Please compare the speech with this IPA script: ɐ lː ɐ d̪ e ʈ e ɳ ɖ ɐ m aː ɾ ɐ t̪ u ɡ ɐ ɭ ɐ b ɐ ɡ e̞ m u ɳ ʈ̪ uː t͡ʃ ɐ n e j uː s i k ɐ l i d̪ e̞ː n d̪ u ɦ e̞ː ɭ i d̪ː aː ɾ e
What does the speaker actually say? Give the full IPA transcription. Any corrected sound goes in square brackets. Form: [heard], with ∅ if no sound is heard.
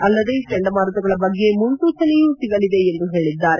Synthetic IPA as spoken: ɐ lː ɐ d̪ e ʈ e ɳ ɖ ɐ m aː ɾ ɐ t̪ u ɡ ɐ ɭ ɐ b ɐ [ɡː] e̞ m u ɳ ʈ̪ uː t͡ʃ ɐ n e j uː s i [ɡ] ɐ l i d̪ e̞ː n d̪ u ɦ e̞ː ɭ i d̪ː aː ɾ e